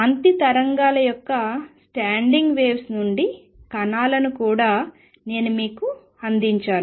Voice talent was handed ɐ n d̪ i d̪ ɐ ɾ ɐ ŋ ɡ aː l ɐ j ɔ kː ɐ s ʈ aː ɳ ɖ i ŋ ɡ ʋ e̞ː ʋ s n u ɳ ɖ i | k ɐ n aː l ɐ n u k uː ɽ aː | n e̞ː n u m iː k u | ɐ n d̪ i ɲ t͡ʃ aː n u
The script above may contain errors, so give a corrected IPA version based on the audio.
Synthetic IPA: ɐ n t̪ i t̪ ɐ ɾ ɐ ŋ ɡ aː l ɐ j ɔ kː ɐ s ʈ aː ɳ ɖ i ŋ ɡ ʋ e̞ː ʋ s n u ɳ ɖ i | k ɐ n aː l ɐ n u k uː ɽ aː | n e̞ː n u m iː k u | ɐ n d̪ i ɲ t͡ʃ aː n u

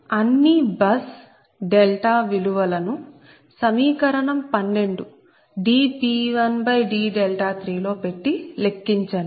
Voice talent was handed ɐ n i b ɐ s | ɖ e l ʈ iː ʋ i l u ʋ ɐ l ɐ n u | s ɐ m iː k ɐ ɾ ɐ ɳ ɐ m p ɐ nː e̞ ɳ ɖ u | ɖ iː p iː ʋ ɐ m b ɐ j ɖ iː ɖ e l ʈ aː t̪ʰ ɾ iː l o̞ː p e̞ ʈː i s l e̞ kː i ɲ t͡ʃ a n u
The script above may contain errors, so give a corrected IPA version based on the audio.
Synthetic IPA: ɐ nː i b ɐ s | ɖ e l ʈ aː ʋ i l u ʋ ɐ l ɐ n u | s ɐ m iː k ɐ ɾ ɐ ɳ ɐ m p ɐ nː e̞ ɳ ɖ u | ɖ iː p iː ʋ ɐ n b ɐ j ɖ iː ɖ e l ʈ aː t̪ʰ ɾ iː l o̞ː p e̞ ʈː i l e̞ kː i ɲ t͡ʃ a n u

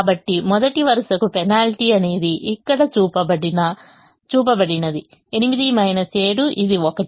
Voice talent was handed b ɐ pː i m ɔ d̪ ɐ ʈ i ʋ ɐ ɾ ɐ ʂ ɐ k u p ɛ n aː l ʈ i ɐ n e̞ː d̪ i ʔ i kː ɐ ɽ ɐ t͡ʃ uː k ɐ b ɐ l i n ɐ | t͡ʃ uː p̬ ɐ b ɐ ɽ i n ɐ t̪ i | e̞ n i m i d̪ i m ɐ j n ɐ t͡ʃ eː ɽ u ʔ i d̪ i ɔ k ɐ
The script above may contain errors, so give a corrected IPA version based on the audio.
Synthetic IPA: b ɐ ʈː i m ɔ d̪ ɐ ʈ i ʋ ɐ ɾ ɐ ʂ ɐ k u p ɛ n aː l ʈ i ɐ n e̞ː d̪ i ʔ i kː ɐ ɽ ɐ t͡ʃ uː p ɐ b ɐ ɽ i n ɐ | t͡ʃ uː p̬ ɐ b ɐ ɽ i n ɐ d̪ i | e̞ n i m i d̪ i m ɐ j n ɐ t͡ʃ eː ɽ u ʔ i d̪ i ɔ k ɐ

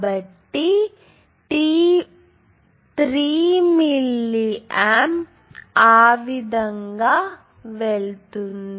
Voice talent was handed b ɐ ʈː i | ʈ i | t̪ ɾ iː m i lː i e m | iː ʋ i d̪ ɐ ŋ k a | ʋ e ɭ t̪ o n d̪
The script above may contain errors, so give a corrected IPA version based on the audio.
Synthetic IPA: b ɐ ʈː i | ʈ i | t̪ ɾ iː m i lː i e m | aː ʋ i d̪ ɐ ŋ ɡ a | ʋ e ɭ t̪ u n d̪

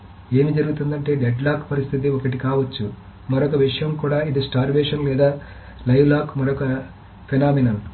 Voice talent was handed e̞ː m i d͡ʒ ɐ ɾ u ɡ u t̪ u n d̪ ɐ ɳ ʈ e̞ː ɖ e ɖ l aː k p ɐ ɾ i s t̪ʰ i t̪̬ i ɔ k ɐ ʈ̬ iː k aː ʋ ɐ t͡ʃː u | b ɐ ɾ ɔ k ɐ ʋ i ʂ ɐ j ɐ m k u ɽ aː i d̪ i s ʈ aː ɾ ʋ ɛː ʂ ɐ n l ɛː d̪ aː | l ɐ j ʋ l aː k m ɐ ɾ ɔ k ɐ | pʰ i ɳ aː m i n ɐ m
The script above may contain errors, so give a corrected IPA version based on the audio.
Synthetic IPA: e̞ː m i d͡ʒ ɐ ɾ u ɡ u t̪ u n d̪ ɐ ɳ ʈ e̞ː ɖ e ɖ l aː k p ɐ ɾ i s t̪ʰ i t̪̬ i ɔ k ɐ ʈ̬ i k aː ʋ ɐ t͡ʃː u | m ɐ ɾ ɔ k ɐ ʋ i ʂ ɐ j ɐ m k uː ɽ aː i d̪ i s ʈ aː ɾ ʋ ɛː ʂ ɐ n l ɛː d̪ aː | l ɐ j ʋ l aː k m ɐ ɾ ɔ k ɐ | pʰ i n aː m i n ɐ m

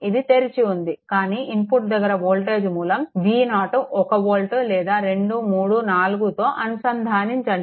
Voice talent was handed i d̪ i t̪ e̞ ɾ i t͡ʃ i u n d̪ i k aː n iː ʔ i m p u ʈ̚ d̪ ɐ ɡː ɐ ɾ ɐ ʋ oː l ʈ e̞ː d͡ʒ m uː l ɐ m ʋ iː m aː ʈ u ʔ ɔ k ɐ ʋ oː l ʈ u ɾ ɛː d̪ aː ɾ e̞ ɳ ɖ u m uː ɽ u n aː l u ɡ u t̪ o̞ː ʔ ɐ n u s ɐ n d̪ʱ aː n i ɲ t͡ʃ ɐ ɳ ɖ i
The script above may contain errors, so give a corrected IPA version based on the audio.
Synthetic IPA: i d̪ i t̪ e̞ ɾ i t͡ʃ i u n d̪ i k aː n iː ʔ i m p u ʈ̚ d̪ ɐ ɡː ɐ ɾ ɐ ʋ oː l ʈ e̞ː d͡ʒ m uː l ɐ m ʋ iː n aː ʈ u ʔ ɔ k ɐ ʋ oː l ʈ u l ɛː d̪ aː ɾ e̞ ɳ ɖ u m uː ɽ u n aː l u ɡ u t̪ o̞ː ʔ ɐ n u s ɐ n d̪ʱ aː n i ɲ t͡ʃ ɐ ɳ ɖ i

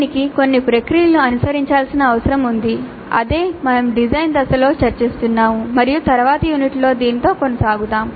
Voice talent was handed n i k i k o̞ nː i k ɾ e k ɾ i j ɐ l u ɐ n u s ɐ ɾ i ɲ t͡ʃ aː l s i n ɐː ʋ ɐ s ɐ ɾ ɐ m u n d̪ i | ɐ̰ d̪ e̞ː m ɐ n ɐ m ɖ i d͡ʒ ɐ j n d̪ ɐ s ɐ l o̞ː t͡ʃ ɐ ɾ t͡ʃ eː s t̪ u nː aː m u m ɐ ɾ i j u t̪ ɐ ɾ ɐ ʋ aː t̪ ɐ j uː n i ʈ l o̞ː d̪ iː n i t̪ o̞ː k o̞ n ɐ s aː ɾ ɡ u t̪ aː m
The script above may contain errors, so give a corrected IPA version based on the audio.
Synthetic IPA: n i k i k o̞ nː i p ɾ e k ɾ i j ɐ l u ɐ n u s ɐ ɾ i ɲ t͡ʃ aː l s i n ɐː ʋ ɐ s ɐ ɾ ɐ m u n d̪ i | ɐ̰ d̪ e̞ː m ɐ n ɐ m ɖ i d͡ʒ ɐ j n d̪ ɐ s ɐ l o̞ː t͡ʃ ɐ ɾ t͡ʃ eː s t̪ u nː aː m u m ɐ ɾ i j u t̪ ɐ ɾ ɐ ʋ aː t̪ ɐ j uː n i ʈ l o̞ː d̪ iː n i t̪ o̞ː k o̞ n ɐ s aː ɡ u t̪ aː m

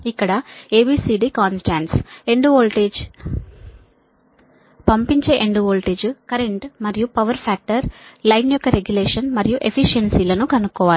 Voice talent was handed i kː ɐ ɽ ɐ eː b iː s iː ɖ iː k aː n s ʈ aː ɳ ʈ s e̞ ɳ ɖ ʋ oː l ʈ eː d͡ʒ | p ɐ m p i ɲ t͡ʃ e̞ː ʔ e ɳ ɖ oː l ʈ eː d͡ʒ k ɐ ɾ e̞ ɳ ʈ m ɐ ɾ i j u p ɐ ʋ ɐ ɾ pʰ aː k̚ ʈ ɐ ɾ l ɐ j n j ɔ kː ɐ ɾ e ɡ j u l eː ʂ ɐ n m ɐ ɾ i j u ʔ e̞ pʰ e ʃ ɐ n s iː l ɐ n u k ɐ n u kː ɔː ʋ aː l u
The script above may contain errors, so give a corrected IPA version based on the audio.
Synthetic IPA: i kː ɐ ɽ ɐ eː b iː s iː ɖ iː k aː n s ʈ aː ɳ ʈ s e̞ ɳ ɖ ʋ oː l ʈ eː d͡ʒ | p ɐ m p i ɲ t͡ʃ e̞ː ʔ e ɳ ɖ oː l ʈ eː d͡ʒ k ɐ ɾ e̞ ɳ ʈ m ɐ ɾ i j u p ɐ ʋ ɐ ɾ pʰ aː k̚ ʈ ɐ ɾ l ɐ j n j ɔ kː ɐ ɾ e ɡ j u l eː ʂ ɐ n m ɐ ɾ i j u ʔ e̞ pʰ i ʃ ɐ n s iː l ɐ n u k ɐ n u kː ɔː ʋ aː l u

